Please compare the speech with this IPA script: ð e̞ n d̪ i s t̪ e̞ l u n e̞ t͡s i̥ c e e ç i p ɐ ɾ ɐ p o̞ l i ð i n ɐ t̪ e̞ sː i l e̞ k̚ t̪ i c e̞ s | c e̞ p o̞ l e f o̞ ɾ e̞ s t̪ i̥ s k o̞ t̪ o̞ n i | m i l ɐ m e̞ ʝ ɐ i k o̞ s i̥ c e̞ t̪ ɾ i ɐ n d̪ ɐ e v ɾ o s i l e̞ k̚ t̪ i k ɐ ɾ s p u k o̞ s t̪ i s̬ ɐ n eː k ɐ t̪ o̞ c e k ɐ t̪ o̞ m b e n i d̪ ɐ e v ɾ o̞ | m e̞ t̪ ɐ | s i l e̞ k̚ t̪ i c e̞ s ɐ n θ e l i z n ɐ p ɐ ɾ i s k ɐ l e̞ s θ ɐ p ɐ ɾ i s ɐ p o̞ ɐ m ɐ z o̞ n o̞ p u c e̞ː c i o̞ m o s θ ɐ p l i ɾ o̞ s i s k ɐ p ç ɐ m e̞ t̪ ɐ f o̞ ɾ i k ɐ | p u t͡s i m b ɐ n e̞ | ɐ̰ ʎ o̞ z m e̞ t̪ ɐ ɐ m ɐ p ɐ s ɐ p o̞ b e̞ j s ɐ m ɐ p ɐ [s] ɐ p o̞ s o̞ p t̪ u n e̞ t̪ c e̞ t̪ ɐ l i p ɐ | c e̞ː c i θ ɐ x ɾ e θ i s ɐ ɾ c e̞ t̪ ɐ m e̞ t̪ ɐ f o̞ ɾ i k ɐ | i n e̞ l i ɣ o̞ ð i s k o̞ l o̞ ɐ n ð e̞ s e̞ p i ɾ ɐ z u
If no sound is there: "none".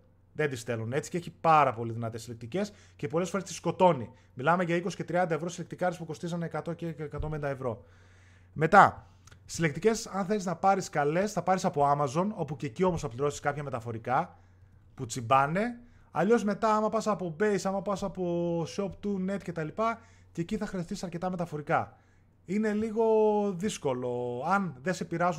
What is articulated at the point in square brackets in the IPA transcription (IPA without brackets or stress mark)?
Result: s